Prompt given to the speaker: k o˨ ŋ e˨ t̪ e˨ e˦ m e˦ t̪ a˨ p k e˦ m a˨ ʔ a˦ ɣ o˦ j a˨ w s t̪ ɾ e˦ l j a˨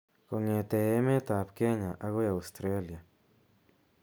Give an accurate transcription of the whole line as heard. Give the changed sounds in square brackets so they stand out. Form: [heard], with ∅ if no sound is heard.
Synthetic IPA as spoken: k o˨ ŋ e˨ t̪ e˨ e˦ m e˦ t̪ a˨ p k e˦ [ɲ] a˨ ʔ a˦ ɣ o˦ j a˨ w s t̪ ɾ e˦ l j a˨